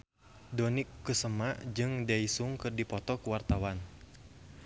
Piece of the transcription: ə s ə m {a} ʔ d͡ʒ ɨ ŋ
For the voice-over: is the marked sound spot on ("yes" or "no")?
yes